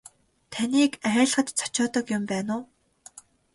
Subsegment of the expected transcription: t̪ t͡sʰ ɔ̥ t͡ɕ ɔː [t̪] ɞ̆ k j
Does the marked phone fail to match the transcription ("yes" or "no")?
no